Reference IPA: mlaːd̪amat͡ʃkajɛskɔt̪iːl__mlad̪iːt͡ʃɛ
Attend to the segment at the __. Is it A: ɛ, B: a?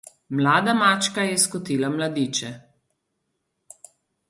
B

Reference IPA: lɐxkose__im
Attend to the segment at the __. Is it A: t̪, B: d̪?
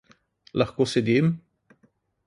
B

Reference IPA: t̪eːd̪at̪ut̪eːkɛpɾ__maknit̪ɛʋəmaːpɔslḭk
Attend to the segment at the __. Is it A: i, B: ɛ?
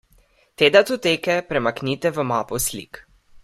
B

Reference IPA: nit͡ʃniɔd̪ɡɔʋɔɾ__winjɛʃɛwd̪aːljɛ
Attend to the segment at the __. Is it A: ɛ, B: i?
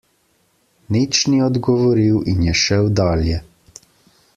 B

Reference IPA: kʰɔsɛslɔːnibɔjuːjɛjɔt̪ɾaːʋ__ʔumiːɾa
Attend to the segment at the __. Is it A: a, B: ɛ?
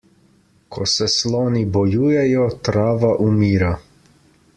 A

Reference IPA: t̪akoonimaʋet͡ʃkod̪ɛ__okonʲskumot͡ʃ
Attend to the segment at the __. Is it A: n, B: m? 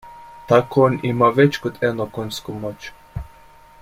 A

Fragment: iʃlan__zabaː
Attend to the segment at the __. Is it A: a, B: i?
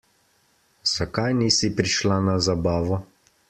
A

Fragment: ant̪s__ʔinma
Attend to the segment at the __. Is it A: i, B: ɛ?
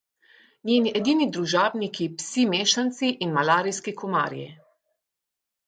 A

